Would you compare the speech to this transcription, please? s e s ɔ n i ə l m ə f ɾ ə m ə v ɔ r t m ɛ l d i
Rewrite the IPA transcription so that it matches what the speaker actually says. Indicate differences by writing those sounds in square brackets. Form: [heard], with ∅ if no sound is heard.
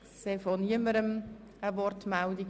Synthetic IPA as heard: s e [f] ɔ n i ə [∅] m ə [∅] ɾ ə m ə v ɔ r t m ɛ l d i